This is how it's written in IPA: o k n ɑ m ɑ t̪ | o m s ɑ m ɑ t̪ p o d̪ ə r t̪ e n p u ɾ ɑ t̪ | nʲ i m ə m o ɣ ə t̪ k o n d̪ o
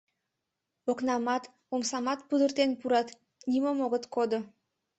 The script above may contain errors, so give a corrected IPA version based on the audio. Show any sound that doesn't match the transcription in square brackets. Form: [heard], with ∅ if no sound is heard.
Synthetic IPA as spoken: o k n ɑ m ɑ t̪ | o m s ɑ m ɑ t̪ p [u] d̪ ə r t̪ e n p u ɾ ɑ t̪ | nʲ i m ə m o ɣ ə t̪ k o [∅] d̪ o